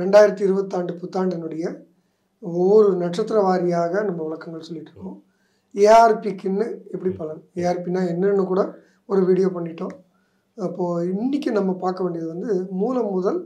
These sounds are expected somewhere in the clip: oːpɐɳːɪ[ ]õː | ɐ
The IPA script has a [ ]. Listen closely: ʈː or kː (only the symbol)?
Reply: ʈː